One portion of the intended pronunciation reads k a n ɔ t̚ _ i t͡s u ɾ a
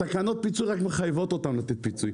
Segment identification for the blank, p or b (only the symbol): p